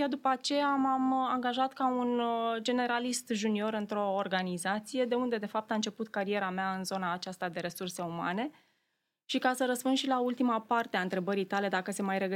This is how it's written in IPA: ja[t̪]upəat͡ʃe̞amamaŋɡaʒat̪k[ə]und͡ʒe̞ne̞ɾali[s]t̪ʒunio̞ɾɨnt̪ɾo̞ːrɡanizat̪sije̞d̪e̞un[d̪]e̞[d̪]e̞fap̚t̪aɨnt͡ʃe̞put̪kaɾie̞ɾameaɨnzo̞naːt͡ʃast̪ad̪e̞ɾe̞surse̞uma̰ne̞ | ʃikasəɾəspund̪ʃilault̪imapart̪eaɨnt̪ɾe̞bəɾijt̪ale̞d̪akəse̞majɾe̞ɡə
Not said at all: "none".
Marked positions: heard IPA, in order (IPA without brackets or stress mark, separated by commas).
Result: d̪, a, s, d̪, d̪